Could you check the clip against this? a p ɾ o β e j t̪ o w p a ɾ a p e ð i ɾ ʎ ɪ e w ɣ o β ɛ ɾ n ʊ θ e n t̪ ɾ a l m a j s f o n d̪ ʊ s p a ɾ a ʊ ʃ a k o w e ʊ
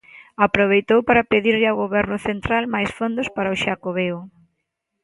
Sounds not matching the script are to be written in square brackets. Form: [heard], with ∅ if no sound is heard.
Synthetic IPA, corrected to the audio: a p ɾ o β e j t̪ o w p a ɾ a p e ð i ɾ ʎ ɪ [a] w ɣ o β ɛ ɾ n ʊ θ e n t̪ ɾ a l m a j s f o n d̪ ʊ s p a ɾ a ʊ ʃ a k o [β] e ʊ